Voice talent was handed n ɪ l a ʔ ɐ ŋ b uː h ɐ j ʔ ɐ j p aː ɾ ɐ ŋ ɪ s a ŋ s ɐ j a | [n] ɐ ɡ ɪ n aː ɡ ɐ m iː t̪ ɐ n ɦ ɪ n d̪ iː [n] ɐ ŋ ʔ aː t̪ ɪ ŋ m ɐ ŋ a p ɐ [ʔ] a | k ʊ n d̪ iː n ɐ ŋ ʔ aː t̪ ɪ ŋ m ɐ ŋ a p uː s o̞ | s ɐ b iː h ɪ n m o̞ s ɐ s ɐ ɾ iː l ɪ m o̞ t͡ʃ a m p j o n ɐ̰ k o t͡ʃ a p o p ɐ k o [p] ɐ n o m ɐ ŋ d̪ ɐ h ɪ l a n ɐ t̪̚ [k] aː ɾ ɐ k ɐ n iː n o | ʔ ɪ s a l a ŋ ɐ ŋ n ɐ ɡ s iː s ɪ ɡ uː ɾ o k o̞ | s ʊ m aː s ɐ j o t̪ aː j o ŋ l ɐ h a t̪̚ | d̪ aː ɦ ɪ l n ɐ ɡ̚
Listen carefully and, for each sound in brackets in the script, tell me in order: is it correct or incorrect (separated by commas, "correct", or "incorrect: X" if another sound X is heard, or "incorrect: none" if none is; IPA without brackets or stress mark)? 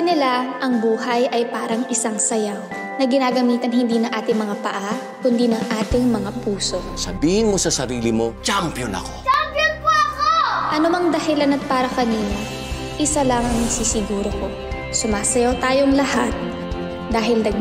correct, correct, correct, incorrect: ʔ, incorrect: p